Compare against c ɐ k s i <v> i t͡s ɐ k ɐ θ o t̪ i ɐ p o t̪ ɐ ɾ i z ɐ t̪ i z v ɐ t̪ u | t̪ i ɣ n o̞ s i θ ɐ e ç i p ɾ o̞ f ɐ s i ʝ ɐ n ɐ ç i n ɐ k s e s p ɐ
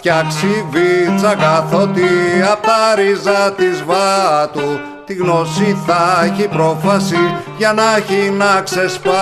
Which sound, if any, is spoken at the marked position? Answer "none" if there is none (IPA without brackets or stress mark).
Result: v